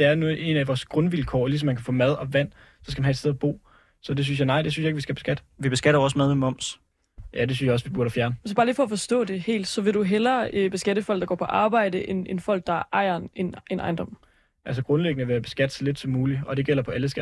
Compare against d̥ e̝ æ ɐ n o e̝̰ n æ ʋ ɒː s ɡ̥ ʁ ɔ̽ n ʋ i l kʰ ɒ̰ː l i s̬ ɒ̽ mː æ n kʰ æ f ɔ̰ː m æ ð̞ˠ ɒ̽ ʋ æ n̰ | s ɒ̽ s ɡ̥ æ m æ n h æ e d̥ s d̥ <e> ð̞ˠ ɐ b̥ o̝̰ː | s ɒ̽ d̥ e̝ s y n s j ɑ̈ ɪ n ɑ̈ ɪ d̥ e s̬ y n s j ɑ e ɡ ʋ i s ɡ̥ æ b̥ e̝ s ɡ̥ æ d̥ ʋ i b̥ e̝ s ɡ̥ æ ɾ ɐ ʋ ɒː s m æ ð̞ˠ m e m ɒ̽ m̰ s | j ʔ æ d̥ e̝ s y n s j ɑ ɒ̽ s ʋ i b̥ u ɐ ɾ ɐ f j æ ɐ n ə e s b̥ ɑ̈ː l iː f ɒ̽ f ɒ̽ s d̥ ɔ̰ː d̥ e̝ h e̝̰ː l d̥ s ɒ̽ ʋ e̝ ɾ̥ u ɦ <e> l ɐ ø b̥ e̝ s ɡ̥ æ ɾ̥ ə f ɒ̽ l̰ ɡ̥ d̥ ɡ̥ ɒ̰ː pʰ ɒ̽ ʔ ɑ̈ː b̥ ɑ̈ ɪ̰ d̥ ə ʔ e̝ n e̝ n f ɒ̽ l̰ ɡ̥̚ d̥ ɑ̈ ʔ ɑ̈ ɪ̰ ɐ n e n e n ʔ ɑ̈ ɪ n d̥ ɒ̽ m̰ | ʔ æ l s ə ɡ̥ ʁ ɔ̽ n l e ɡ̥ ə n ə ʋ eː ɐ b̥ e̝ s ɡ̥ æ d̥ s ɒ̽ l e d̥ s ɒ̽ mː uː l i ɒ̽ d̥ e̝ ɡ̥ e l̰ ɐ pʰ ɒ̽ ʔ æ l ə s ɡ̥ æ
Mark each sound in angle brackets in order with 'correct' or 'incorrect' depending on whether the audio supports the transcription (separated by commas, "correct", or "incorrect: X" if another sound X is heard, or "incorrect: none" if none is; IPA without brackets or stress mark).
correct, correct